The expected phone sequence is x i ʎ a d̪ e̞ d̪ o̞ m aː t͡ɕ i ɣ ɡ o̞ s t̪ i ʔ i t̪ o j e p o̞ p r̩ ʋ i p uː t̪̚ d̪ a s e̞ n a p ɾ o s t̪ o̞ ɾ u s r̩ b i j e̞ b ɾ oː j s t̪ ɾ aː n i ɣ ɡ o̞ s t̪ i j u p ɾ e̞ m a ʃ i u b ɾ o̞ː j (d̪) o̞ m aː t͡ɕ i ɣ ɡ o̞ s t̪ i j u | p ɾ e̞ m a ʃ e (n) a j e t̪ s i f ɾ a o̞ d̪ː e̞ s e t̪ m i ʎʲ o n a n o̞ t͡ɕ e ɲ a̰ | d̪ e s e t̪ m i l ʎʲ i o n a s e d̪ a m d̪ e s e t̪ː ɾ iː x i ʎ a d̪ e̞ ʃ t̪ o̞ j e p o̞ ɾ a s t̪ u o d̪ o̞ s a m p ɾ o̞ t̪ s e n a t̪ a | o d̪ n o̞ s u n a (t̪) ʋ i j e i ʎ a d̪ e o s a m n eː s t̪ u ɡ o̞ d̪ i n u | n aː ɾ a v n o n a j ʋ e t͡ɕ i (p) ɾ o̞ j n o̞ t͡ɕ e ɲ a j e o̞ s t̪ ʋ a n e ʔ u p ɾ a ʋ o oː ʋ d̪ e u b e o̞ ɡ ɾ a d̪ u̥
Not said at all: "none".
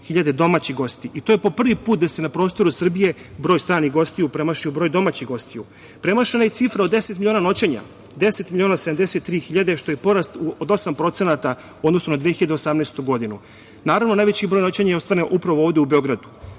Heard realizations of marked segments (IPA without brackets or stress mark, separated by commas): d̪, n, d̪, b